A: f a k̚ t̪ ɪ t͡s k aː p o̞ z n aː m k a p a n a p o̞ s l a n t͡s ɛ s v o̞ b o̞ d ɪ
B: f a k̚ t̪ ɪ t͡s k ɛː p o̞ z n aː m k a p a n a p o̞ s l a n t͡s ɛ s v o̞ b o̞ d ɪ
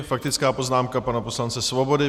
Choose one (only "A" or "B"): A